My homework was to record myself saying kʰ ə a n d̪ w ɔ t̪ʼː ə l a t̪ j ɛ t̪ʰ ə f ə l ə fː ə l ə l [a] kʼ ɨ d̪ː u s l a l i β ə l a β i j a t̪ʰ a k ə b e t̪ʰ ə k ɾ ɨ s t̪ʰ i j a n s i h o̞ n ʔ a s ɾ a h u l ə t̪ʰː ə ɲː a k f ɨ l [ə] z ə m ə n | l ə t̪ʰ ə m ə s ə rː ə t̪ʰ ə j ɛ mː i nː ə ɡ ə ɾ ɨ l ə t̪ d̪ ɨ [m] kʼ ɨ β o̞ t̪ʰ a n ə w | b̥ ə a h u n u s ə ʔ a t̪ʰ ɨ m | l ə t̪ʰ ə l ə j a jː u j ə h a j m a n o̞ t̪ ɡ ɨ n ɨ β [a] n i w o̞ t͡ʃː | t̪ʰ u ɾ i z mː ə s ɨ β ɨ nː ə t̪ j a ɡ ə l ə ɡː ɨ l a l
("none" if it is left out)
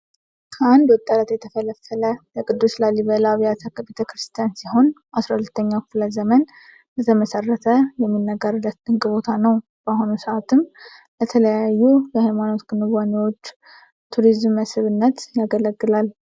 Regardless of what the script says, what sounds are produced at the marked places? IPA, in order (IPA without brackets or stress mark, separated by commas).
ə, ə, ŋ, a